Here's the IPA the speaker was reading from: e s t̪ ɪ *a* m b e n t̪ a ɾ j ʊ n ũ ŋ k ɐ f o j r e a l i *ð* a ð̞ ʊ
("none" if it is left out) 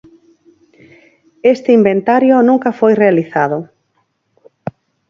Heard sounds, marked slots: i, θ

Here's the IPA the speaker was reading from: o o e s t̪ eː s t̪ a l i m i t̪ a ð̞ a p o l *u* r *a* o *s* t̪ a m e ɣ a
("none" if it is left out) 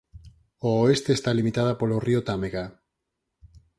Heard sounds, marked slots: o, i, none

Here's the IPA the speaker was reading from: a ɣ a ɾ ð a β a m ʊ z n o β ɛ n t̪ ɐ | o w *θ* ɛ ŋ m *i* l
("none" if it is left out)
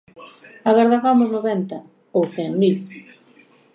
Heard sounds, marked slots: θ, i

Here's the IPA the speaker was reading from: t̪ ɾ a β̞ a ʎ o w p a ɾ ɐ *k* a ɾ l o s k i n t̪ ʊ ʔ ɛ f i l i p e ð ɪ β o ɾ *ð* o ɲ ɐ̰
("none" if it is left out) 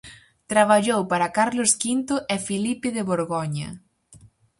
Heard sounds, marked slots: k, ɣ

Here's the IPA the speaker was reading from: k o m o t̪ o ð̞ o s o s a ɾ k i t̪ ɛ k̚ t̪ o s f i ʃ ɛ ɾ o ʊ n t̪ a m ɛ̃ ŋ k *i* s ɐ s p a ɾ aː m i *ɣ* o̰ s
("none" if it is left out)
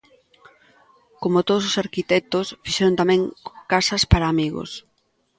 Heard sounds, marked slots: a, ɣ

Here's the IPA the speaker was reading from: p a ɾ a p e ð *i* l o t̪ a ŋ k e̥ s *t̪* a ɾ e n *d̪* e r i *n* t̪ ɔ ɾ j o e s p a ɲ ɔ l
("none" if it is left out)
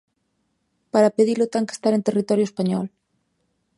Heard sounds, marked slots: i, t̪, t̪, none

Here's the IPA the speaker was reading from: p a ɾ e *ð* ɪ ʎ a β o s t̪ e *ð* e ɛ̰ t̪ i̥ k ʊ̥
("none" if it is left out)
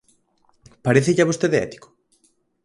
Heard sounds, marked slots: θ, ð

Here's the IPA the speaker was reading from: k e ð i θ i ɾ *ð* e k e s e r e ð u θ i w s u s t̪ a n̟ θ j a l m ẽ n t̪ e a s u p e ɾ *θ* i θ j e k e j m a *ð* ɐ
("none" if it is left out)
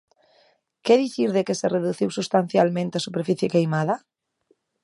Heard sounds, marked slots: ð, f, ð

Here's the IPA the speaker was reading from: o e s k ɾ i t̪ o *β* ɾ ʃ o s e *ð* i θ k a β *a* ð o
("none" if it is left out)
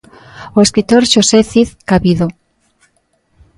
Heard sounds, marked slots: none, θ, i

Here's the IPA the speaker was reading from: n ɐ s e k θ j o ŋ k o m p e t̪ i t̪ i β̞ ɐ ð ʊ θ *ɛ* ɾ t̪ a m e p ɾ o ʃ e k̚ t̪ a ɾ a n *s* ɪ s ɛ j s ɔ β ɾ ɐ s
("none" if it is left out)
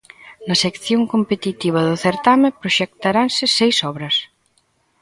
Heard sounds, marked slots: e, s

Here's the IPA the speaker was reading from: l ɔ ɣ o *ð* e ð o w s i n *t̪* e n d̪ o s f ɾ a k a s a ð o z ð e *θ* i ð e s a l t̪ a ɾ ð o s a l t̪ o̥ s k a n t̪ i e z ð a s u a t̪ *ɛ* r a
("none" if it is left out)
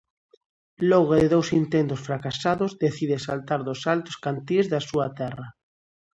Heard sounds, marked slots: ð, t̪, θ, ɛ

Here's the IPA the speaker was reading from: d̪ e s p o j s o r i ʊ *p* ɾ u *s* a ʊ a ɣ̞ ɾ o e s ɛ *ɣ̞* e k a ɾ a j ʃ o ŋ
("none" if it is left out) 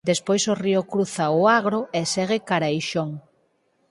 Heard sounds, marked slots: k, θ, ɣ̞

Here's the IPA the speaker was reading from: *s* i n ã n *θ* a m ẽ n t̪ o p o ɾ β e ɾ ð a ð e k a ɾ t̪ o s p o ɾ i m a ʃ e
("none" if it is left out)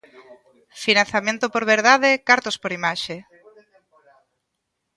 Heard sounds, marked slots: f, θ

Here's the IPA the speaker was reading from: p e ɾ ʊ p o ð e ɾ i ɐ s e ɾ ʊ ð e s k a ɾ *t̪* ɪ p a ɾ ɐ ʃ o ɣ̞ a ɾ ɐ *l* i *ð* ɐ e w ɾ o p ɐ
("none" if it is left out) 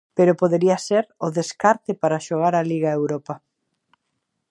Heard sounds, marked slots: t̪, l, ɣ

